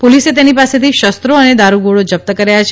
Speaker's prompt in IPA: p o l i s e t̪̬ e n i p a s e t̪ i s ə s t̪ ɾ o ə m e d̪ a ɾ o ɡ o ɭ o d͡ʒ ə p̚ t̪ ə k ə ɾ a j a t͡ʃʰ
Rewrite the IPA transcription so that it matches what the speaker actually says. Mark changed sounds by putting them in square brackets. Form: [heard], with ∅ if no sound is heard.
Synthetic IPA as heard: p o l i s e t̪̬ e n i p a s e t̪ i [ʃ] ə s t̪ ɾ o ə [n] e d̪ a ɾ [u] ɡ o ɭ o d͡ʒ ə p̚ t̪ ə k ə ɾ a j a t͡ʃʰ